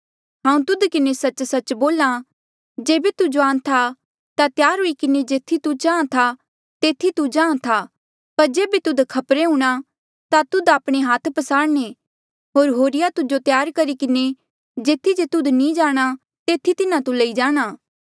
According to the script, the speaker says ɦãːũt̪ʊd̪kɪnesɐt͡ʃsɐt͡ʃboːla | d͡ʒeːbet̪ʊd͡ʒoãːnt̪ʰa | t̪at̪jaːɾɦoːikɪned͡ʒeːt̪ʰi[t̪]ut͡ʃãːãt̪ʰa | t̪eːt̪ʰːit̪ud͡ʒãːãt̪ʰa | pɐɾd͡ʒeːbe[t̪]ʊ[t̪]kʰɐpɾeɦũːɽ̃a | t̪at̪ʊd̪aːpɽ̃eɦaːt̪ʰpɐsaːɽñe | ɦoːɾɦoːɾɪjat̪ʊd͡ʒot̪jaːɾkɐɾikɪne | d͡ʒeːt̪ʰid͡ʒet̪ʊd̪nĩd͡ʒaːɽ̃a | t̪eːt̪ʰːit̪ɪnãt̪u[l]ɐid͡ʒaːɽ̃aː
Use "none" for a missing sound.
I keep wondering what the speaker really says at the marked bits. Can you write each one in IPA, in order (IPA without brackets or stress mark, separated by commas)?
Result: t̪, t̪, d̪, l